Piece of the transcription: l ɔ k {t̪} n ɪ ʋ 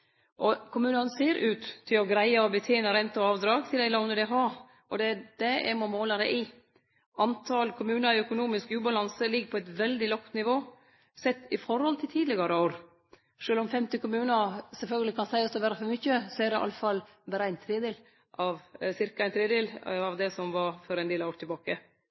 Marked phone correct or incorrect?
correct